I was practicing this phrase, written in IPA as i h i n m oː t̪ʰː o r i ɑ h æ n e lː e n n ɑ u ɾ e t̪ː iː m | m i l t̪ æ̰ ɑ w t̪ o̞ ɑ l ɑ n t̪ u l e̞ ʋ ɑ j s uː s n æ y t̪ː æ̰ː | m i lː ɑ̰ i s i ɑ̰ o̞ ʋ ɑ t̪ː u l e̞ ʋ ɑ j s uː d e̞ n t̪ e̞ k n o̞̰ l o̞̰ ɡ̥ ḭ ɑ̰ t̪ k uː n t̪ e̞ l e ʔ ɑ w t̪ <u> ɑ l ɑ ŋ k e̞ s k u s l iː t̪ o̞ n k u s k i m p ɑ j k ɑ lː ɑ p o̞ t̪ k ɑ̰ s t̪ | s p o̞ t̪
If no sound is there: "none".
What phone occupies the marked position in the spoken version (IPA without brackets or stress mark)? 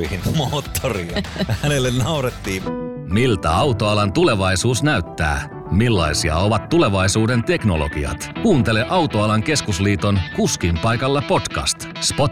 o